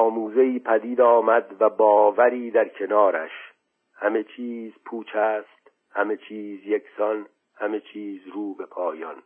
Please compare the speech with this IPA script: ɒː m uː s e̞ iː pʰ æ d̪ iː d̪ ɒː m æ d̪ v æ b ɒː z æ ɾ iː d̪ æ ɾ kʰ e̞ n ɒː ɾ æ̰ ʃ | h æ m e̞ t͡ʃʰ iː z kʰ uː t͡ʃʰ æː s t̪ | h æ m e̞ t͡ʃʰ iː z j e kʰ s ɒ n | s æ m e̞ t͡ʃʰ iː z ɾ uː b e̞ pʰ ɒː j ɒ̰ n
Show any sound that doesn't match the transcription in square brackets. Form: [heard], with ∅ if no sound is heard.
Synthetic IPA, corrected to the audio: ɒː m uː [z] e̞ iː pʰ æ d̪ iː d̪ ɒː m æ d̪ v æ b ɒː [v] æ ɾ iː d̪ æ ɾ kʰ e̞ n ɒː ɾ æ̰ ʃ | h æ m e̞ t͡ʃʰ iː z [pʰ] uː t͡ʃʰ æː s t̪ | h æ m e̞ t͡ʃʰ iː z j e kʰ s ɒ n | [h] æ m e̞ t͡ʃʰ iː z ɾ uː b e̞ pʰ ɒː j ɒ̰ n